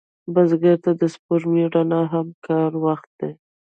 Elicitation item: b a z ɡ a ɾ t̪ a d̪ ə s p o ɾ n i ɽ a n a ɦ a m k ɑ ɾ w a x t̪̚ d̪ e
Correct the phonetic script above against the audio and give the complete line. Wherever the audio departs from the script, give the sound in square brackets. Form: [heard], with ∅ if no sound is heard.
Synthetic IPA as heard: b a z ɡ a ɾ t̪ a d̪ ə s p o ɾ [m] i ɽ a n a ɦ a m k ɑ ɾ w a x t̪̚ d̪ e